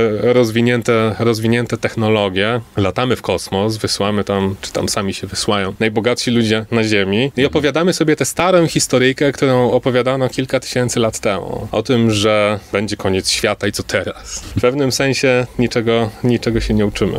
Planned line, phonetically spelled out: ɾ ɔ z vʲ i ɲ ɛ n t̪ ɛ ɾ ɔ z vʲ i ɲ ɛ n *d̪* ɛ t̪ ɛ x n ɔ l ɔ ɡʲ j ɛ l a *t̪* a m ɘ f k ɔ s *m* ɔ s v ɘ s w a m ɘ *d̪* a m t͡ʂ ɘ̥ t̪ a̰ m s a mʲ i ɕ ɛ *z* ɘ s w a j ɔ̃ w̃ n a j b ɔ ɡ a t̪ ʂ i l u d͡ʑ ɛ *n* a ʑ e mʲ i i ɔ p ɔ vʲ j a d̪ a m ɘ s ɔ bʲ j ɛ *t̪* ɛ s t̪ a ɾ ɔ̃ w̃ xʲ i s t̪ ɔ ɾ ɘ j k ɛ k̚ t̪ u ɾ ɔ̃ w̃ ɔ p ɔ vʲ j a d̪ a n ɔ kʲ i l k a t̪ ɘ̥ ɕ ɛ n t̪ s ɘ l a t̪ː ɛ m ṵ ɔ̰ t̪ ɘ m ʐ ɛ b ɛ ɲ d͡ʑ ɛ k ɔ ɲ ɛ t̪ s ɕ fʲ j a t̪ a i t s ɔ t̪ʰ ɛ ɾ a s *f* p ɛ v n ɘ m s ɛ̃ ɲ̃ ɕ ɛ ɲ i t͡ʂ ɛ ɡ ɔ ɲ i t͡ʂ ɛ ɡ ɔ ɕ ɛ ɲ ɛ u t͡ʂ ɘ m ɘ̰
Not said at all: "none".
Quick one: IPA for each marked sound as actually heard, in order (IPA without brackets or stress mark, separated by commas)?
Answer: t̪, t̪, m, t̪, v, n, t̪, f